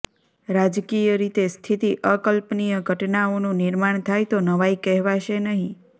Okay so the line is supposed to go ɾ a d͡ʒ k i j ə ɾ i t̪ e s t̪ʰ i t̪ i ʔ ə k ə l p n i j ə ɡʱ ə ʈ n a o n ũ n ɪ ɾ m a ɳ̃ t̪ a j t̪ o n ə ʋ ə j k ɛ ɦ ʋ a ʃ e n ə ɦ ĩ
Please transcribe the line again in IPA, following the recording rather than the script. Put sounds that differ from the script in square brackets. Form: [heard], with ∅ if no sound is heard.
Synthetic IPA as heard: ɾ a d͡ʒ k i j ə ɾ i t̪ e s t̪ʰ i t̪ i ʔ ə k ə l p n i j ə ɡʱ ə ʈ n a o n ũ n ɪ ɾ m a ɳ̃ [t̪ʰ] a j t̪ o n ə ʋ [a] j k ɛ ɦ ʋ a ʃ e n ə ɦ ĩ